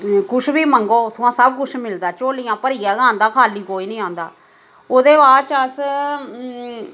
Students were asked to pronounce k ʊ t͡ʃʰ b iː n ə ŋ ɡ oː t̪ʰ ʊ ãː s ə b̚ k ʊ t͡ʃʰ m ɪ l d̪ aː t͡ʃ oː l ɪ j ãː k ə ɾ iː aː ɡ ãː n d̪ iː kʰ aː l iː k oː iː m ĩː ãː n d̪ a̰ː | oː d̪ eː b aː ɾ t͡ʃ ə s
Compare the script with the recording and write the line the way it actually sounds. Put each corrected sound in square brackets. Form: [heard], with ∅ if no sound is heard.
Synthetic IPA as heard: k ʊ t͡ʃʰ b iː [m] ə ŋ ɡ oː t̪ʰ ʊ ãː s ə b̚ k ʊ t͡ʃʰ m ɪ l d̪ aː t͡ʃ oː l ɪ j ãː [p] ə ɾ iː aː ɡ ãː n d̪ [aː] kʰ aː l iː k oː iː [n] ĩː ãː n d̪ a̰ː | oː d̪ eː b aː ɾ t͡ʃ ə s